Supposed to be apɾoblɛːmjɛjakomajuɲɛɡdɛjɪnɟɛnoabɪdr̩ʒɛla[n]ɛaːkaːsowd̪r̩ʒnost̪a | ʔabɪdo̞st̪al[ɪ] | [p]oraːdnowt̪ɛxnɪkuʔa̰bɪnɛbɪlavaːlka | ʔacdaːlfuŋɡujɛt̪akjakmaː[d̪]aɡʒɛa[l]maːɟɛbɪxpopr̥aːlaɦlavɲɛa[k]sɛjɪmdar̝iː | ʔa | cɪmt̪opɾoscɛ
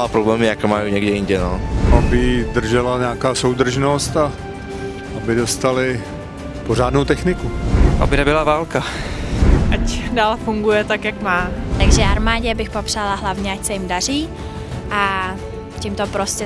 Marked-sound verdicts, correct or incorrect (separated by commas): incorrect, correct, correct, incorrect, incorrect, incorrect